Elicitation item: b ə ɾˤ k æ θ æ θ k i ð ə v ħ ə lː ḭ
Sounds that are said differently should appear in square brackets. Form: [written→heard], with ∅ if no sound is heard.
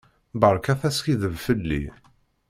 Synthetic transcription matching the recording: b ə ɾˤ k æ θ æ [θ→s] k i ð ə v [ħ→f] ə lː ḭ